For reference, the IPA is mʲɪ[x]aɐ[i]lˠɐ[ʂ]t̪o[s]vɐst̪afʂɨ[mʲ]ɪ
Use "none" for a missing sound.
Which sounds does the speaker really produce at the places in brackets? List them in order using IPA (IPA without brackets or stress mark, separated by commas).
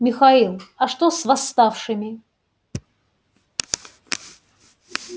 x, i, ʂ, s, mʲ